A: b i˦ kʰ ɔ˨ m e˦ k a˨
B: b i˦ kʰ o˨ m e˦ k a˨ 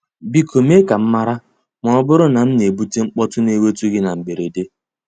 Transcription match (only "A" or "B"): B